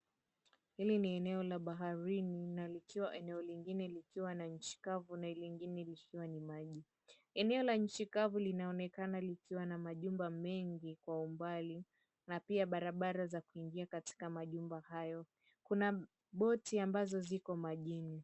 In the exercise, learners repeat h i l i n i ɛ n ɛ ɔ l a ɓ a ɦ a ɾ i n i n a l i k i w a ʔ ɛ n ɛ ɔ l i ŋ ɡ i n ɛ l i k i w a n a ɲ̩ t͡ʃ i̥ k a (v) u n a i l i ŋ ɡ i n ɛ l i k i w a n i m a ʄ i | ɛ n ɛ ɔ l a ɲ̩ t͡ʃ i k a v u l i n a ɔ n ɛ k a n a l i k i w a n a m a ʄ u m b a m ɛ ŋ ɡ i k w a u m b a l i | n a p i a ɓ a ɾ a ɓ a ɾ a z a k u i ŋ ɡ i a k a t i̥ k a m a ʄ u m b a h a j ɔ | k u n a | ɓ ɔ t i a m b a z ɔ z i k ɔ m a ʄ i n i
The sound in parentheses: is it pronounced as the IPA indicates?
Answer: yes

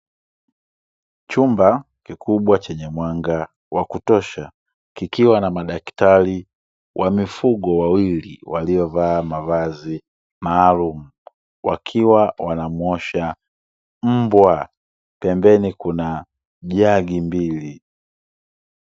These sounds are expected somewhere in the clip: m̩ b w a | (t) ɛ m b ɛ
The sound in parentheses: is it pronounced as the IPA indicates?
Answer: no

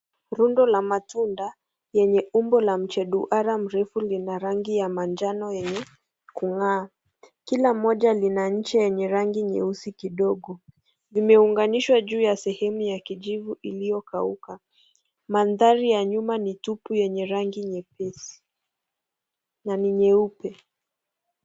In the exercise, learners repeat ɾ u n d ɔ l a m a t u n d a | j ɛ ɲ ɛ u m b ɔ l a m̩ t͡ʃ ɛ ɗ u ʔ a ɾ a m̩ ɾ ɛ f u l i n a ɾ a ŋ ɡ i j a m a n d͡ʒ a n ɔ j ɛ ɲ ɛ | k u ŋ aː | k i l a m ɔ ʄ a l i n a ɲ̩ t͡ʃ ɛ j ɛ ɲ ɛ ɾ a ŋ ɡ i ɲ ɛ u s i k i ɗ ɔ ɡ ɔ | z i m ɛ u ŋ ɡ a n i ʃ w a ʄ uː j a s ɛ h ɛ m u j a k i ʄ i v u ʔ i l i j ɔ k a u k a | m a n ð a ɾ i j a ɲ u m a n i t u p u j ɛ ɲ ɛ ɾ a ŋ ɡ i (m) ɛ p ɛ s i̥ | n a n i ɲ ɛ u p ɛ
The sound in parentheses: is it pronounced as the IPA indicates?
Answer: no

